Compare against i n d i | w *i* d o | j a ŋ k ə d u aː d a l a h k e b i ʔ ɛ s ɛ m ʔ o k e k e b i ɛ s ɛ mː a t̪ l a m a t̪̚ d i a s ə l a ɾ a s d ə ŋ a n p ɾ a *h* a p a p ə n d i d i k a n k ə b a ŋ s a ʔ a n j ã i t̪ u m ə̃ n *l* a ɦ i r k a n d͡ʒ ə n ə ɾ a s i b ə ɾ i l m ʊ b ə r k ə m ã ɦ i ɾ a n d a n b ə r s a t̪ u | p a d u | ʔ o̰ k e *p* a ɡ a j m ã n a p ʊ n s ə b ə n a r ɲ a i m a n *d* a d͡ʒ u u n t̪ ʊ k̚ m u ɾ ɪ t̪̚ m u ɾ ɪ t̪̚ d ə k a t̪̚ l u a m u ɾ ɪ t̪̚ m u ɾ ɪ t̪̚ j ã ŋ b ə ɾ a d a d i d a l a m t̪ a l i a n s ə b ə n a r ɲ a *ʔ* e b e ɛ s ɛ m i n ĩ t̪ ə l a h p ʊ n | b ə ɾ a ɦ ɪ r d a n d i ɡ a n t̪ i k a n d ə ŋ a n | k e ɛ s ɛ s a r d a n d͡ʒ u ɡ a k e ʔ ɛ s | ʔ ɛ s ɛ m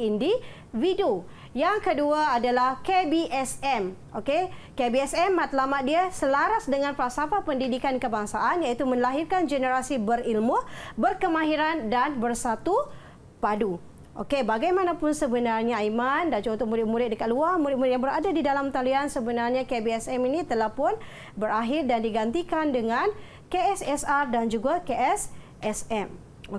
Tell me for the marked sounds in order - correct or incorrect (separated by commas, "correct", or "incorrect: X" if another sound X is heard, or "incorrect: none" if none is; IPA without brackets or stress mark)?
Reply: correct, incorrect: s, correct, incorrect: b, correct, incorrect: k